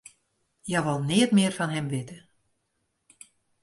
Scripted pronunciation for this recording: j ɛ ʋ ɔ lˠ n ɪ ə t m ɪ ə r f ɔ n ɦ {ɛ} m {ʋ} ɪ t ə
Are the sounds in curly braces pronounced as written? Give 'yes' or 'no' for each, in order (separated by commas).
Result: yes, yes